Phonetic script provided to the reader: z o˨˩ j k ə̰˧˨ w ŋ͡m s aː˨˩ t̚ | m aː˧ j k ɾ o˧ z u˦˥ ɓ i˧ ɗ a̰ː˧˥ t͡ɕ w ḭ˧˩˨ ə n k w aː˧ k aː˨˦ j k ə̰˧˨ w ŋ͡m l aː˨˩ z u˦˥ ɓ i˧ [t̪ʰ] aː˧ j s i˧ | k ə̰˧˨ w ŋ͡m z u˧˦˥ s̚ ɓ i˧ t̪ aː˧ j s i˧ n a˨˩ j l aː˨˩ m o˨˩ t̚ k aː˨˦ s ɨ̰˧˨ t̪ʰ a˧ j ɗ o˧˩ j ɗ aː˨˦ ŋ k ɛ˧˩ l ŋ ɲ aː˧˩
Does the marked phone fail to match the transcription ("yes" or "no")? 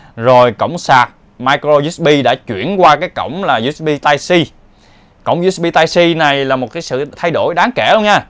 yes